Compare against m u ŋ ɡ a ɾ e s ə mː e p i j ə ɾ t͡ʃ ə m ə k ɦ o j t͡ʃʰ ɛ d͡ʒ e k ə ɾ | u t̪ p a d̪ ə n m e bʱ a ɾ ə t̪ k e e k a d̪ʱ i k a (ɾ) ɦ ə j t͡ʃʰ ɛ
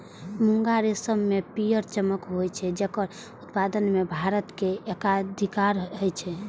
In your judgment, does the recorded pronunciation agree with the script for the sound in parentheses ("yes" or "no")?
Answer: yes